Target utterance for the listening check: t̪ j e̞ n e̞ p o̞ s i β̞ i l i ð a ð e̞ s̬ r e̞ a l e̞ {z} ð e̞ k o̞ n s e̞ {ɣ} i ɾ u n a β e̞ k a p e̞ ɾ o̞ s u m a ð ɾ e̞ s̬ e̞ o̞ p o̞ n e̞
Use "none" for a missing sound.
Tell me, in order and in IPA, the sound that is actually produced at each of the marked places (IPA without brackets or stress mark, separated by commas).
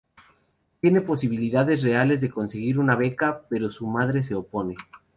z, ɣ